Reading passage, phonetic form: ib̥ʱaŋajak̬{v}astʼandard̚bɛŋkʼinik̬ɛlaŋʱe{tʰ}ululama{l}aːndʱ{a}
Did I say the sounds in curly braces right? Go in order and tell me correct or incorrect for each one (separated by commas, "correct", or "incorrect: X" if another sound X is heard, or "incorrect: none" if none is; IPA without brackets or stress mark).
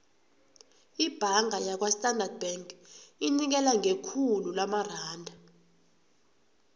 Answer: incorrect: w, incorrect: kʰ, incorrect: r, correct